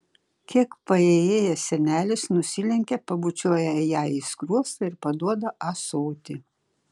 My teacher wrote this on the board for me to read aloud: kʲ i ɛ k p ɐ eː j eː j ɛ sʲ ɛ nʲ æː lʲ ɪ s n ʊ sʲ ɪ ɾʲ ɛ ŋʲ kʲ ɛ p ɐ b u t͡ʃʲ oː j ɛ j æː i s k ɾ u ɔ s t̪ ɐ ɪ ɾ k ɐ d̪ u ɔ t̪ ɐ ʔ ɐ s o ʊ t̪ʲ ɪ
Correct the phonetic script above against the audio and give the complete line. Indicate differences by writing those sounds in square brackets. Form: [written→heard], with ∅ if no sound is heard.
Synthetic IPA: kʲ i ɛ k p ɐ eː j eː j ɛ sʲ ɛ nʲ æː lʲ ɪ s n ʊ sʲ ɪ [ɾʲ→lʲ] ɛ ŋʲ kʲ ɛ p ɐ b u t͡ʃʲ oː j ɛ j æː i s k ɾ u ɔ s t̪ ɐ ɪ ɾ [k→p] ɐ d̪ u ɔ [t̪→d̪] ɐ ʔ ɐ s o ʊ t̪ʲ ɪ